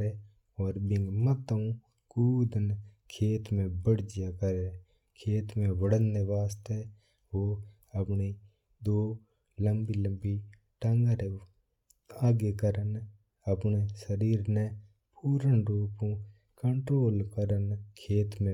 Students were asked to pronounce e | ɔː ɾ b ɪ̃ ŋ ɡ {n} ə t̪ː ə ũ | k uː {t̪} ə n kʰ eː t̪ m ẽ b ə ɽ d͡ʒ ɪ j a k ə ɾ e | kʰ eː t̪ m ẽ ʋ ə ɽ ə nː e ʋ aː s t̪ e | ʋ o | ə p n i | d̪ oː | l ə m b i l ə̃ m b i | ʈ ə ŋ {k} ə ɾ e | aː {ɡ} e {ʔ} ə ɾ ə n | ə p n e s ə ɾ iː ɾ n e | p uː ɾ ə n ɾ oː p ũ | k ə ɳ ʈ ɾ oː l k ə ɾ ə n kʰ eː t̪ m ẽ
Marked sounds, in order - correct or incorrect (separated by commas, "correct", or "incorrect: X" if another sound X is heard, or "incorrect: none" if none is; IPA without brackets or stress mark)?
incorrect: m, incorrect: d̪, incorrect: ɡ, correct, incorrect: k